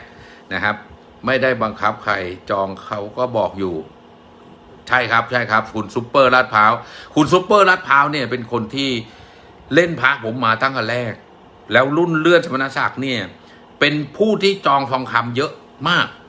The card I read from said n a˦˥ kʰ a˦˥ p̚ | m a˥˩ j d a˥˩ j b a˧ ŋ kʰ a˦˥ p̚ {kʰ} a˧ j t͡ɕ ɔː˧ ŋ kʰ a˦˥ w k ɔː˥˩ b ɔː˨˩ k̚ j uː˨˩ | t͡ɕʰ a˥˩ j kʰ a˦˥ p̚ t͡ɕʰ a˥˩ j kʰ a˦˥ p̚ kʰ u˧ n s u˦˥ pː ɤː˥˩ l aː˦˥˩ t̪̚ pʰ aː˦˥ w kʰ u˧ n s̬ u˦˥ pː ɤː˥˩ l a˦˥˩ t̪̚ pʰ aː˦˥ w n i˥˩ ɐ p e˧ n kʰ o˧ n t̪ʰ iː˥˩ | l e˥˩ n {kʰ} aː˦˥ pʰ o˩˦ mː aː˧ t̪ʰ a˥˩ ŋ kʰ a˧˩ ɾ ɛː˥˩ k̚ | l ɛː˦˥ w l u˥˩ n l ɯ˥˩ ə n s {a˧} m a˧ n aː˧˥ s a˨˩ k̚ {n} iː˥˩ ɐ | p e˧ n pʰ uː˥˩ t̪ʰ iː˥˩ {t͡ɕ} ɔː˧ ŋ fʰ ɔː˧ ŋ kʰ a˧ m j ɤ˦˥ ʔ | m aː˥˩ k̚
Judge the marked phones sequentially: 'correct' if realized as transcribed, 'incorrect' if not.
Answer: correct, incorrect: pʰ, correct, correct, correct

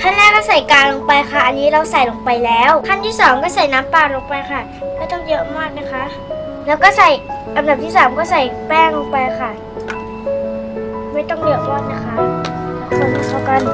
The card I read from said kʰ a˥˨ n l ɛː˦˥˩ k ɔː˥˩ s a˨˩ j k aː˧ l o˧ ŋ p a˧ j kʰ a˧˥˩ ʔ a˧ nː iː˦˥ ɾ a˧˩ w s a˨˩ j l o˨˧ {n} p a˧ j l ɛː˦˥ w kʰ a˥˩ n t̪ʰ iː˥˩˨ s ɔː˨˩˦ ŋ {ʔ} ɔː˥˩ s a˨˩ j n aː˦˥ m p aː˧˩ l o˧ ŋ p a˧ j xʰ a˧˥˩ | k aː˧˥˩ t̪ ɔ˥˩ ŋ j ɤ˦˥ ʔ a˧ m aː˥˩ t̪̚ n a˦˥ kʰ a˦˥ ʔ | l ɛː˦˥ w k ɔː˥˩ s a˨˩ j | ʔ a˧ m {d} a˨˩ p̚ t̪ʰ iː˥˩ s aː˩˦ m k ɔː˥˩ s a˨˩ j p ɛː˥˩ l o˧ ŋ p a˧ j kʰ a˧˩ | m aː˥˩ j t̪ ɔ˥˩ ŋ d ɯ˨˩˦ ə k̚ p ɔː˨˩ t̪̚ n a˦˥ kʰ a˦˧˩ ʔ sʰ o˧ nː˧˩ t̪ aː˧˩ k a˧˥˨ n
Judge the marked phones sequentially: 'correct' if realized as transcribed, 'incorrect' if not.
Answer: incorrect: ŋ, incorrect: k, correct

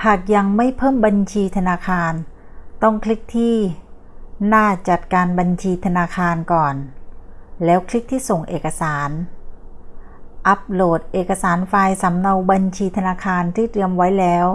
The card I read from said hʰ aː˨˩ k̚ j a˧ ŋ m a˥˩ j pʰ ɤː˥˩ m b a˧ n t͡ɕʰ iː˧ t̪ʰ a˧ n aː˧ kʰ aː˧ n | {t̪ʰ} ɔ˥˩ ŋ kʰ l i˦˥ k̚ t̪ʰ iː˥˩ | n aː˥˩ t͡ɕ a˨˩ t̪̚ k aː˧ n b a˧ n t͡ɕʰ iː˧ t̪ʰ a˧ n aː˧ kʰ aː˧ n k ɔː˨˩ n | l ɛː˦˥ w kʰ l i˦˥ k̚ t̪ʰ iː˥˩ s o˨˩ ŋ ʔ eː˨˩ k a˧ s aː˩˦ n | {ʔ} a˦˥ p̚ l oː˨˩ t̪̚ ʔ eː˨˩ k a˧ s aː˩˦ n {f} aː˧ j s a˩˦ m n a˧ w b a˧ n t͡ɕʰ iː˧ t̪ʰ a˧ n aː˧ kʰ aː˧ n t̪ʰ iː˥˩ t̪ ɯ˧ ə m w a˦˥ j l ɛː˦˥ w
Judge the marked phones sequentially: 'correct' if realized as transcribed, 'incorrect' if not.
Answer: incorrect: t̪, correct, correct

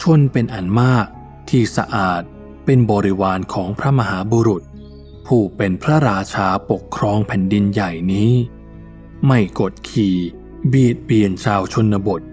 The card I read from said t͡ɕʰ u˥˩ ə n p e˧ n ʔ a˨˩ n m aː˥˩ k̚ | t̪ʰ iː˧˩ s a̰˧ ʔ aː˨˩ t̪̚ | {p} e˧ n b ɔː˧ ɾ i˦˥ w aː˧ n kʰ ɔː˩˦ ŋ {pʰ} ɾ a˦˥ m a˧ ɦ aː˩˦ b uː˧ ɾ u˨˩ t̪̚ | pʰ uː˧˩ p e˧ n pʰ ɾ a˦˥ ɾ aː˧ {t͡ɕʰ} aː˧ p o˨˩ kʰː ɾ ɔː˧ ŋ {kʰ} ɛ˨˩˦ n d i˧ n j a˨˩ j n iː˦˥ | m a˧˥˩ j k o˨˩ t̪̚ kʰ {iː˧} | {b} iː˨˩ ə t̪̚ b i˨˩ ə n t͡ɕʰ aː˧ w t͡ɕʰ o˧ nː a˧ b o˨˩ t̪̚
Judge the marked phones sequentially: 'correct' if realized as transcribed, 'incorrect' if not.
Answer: correct, correct, correct, incorrect: pʰ, incorrect: iː˨˩, correct

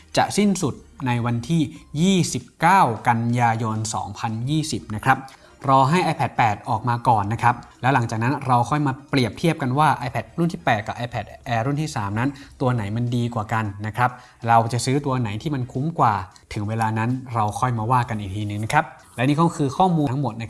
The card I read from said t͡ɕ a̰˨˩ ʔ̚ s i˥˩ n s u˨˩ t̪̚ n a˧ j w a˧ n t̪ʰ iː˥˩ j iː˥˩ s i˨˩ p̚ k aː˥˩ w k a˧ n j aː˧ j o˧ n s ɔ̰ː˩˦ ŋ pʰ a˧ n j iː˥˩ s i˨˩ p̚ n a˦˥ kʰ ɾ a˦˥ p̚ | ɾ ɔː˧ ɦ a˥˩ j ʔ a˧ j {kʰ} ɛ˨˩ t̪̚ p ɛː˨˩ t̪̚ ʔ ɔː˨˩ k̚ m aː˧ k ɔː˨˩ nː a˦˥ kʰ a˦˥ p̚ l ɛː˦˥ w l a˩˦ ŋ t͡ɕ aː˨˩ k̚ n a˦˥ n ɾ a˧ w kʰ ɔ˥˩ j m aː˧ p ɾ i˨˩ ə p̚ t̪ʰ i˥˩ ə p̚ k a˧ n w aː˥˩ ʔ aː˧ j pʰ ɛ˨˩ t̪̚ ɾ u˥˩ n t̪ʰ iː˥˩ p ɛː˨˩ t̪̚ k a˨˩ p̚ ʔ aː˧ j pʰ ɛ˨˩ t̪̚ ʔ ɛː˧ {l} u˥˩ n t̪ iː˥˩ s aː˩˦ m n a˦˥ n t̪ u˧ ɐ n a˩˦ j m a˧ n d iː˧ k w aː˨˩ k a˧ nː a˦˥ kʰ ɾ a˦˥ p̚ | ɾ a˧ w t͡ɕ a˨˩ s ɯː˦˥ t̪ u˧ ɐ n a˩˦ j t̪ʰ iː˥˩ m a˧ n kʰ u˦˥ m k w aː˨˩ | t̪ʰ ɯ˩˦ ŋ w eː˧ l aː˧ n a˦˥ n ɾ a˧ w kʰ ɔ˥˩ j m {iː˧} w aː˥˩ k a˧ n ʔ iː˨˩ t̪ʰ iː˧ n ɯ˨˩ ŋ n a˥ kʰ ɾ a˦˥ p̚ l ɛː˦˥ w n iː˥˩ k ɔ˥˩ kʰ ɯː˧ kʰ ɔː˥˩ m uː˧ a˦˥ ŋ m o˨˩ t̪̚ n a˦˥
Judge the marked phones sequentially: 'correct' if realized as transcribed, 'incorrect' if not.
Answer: incorrect: pʰ, incorrect: ɾ, incorrect: aː˧

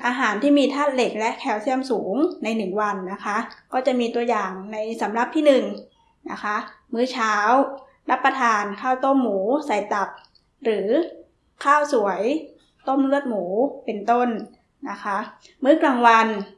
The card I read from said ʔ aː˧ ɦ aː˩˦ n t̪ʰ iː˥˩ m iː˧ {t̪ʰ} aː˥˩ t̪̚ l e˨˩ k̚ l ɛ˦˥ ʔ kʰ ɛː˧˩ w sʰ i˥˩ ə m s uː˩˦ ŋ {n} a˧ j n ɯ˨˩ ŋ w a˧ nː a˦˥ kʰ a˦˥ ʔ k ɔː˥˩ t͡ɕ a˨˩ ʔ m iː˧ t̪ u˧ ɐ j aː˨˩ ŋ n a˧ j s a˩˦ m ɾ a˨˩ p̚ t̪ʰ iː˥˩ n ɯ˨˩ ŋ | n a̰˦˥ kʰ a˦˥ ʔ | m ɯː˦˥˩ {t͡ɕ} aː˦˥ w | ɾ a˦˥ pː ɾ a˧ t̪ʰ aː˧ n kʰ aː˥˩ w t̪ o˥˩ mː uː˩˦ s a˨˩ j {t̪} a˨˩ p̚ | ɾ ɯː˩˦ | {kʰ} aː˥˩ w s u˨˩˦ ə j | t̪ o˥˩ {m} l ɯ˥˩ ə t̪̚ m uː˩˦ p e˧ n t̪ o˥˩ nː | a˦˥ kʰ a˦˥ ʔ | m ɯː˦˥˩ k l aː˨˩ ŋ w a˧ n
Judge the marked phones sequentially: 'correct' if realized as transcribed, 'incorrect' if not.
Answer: correct, correct, incorrect: t͡ɕʰ, correct, correct, correct

